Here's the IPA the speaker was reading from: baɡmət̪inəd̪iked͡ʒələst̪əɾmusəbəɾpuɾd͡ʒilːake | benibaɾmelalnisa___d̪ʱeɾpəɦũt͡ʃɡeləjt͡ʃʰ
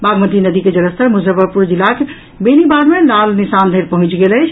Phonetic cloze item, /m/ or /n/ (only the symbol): n